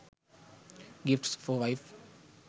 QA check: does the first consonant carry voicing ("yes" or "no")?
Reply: yes